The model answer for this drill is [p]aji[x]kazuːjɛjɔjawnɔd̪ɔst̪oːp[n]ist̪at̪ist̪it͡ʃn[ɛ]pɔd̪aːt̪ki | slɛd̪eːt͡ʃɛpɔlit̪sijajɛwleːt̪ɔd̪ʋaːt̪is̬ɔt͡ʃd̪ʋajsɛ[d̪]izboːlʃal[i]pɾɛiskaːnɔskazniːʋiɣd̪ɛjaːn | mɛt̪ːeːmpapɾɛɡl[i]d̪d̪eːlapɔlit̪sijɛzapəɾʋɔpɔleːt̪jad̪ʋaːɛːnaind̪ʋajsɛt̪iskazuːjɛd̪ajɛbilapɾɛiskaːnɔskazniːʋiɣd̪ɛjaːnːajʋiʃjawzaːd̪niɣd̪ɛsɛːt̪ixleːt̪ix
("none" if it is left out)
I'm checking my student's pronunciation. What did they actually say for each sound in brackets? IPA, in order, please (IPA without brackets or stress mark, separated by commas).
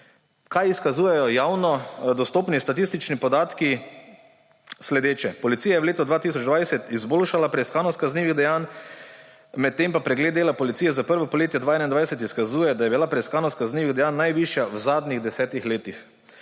k, s, n, i, t̪, a, e